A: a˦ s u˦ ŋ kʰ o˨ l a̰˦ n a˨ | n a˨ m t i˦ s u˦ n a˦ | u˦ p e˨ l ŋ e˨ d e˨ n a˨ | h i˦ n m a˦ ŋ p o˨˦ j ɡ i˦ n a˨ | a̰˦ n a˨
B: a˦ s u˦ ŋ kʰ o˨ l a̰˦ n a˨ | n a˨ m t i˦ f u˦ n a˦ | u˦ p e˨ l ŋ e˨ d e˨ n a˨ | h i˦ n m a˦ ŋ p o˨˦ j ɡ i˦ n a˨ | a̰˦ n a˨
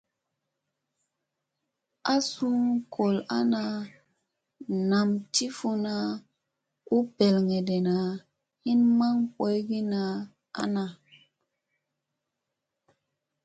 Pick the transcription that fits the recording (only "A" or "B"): B